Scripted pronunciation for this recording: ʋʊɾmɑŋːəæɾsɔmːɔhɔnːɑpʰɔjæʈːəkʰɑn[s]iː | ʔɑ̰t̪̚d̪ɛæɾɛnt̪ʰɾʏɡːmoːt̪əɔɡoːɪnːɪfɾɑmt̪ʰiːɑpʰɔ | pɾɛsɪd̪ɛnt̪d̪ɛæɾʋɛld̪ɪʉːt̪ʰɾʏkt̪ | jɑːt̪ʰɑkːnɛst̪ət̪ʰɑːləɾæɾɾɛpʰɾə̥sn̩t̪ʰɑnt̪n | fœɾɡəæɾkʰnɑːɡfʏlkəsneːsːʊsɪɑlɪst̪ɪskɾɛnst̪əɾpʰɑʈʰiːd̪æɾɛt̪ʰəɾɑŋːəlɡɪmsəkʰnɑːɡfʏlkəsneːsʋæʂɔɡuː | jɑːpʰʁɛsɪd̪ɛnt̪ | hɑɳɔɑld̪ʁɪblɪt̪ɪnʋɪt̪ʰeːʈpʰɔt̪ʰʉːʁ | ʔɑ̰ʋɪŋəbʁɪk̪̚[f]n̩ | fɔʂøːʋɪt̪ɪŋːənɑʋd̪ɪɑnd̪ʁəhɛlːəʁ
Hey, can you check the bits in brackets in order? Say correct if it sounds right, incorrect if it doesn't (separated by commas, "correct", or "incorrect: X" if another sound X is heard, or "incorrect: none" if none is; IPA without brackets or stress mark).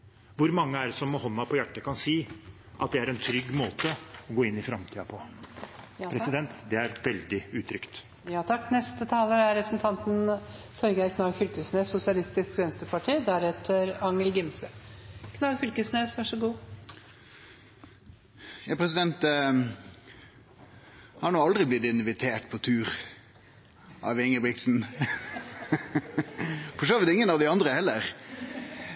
correct, incorrect: s